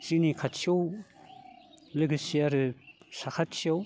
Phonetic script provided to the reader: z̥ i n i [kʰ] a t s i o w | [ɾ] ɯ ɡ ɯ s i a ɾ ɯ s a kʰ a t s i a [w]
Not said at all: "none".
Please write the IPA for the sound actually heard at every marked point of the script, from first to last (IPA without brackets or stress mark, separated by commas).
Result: kʰ, l, w